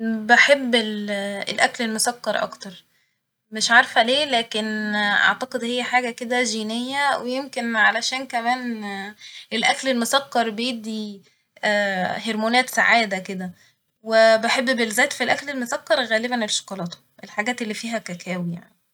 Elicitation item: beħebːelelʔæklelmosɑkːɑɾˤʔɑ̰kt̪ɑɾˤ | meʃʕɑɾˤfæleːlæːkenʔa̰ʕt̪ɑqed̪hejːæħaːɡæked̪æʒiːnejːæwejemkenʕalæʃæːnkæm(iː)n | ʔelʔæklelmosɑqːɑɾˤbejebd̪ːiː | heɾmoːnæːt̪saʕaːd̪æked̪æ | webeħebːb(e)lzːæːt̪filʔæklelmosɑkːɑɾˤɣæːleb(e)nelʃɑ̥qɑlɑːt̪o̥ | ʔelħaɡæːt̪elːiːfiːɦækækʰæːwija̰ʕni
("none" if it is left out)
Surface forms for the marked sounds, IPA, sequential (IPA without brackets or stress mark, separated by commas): æː, e, æ